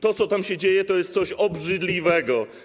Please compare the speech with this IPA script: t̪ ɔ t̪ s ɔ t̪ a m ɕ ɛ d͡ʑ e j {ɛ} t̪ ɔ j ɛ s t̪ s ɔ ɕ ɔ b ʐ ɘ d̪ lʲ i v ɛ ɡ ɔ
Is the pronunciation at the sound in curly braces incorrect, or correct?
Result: correct